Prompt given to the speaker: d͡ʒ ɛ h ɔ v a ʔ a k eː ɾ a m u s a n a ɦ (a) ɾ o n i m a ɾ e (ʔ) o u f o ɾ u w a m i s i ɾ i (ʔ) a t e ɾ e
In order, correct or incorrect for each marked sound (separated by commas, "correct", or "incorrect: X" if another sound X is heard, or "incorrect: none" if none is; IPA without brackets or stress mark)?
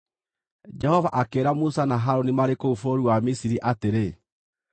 correct, incorrect: k, correct